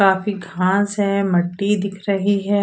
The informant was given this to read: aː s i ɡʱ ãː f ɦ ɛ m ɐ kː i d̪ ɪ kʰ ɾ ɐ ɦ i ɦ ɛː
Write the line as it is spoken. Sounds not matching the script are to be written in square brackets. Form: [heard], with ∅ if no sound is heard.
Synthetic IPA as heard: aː [f] i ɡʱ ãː [s] ɦ ɛ m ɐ [ʈː] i d̪ ɪ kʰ ɾ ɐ ɦ i ɦ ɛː